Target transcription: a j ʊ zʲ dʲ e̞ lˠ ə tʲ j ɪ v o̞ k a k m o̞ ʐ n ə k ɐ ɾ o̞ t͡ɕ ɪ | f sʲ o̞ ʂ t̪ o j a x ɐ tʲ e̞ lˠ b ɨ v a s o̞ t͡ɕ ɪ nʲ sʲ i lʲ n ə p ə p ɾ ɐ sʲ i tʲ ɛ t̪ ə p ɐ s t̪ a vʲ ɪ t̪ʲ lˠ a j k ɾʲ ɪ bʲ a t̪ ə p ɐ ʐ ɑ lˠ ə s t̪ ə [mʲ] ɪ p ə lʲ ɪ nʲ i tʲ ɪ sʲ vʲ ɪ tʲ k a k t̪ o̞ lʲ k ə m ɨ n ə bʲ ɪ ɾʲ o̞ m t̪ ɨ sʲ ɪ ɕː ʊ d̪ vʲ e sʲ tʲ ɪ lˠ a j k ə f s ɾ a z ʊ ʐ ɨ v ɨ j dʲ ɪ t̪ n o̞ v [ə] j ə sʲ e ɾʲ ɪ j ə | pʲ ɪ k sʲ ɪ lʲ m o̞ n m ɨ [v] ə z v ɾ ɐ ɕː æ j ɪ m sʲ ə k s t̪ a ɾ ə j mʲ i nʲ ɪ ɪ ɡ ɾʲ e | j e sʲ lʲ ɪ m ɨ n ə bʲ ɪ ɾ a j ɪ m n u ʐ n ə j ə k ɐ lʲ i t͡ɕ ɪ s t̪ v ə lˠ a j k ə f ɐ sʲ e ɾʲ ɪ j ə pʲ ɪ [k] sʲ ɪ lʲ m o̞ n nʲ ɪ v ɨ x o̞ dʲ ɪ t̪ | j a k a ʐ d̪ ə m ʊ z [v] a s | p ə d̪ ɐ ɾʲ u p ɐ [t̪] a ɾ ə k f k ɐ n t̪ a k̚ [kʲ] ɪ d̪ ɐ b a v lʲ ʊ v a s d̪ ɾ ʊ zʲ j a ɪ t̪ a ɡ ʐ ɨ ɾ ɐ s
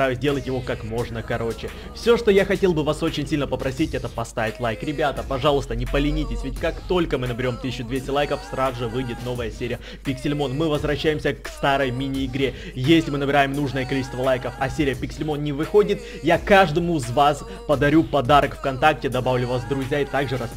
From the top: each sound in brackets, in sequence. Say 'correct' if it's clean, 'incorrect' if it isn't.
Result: incorrect: nʲ, correct, correct, correct, correct, incorrect: d̪, incorrect: tʲ

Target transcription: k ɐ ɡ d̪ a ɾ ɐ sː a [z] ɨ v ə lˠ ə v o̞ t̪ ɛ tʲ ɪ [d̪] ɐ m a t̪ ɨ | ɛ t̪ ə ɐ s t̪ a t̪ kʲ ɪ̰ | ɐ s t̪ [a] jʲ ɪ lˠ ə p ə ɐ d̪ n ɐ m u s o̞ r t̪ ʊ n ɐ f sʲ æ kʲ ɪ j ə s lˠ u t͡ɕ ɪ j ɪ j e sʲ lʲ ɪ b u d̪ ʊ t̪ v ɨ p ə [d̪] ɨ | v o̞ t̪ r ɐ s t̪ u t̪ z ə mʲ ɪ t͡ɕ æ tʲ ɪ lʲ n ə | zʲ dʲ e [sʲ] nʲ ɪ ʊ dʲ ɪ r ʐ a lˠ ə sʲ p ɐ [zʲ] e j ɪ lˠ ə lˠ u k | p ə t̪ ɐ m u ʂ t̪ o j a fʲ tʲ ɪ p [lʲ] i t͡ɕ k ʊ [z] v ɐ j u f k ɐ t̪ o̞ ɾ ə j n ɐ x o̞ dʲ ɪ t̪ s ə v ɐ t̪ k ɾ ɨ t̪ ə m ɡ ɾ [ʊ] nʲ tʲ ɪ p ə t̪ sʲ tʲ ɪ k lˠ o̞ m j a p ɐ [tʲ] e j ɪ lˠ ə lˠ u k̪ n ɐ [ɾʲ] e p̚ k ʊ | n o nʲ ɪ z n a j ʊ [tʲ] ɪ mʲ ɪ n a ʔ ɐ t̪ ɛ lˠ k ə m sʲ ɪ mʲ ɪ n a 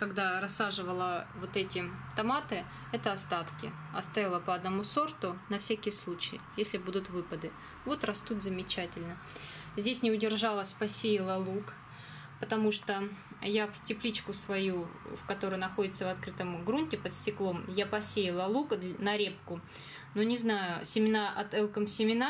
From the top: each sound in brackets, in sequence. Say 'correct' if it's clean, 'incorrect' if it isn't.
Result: incorrect: ʐ, incorrect: t̪, correct, correct, correct, incorrect: sʲ, correct, incorrect: s, incorrect: u, incorrect: sʲ, correct, incorrect: sʲ

